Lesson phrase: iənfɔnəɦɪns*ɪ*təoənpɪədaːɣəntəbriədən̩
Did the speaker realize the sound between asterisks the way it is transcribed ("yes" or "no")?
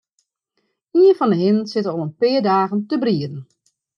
yes